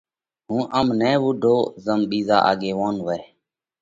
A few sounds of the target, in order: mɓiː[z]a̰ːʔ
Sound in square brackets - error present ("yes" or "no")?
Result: no